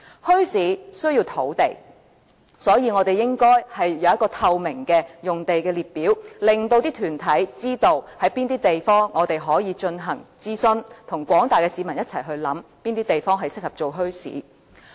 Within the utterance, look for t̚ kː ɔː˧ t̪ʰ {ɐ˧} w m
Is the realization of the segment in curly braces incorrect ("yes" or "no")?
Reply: no